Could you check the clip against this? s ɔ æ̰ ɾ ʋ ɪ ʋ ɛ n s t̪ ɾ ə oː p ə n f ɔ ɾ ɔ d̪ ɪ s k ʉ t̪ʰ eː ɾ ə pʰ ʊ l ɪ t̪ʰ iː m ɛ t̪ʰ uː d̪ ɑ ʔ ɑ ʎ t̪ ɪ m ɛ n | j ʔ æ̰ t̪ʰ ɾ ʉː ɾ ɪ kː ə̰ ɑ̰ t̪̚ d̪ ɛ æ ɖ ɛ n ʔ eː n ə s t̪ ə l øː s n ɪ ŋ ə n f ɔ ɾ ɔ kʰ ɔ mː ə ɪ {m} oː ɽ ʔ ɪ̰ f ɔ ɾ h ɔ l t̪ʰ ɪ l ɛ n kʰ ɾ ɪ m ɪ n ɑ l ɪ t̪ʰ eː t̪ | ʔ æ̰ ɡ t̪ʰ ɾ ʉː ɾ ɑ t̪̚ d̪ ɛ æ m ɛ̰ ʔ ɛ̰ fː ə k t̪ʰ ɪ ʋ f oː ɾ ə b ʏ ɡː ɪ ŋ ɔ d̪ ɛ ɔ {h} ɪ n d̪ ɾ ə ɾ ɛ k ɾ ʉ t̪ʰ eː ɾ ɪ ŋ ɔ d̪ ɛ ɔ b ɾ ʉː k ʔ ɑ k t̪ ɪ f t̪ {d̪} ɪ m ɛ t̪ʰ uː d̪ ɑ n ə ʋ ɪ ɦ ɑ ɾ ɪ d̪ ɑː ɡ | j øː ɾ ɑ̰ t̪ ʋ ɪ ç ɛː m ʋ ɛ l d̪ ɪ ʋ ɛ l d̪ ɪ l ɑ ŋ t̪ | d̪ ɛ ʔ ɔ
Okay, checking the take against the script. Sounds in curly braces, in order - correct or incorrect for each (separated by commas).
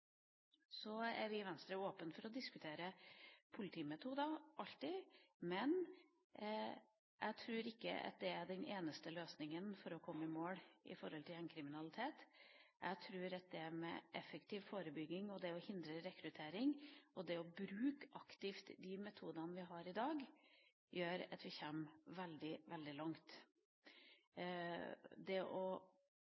correct, correct, correct